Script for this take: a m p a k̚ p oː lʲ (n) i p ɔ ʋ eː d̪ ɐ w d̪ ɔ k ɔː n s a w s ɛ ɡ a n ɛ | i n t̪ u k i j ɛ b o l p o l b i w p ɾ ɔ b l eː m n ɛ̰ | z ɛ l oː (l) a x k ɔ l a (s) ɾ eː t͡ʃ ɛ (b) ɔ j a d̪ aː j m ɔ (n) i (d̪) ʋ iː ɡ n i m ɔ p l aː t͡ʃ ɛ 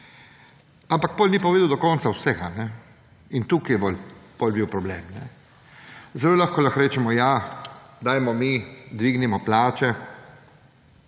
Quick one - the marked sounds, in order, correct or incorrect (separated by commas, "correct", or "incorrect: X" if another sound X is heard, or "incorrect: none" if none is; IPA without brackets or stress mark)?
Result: correct, correct, incorrect: x, incorrect: m, incorrect: m, correct